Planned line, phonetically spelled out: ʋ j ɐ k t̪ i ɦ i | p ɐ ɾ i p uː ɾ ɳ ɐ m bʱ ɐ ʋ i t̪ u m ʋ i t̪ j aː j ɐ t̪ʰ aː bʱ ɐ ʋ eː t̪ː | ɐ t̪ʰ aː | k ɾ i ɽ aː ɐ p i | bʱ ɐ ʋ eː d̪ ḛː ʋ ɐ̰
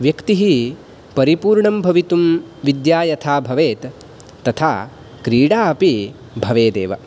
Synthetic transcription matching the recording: ʋ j ɐ k t̪ i ɦ i | p ɐ ɾ i p uː ɾ ɳ ɐ m bʱ ɐ ʋ i t̪ u m ʋ i d̪ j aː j ɐ t̪ʰ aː bʱ ɐ ʋ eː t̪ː | ɐ t̪ʰ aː | k ɾ iː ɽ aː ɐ p i | bʱ ɐ ʋ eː d̪ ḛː ʋ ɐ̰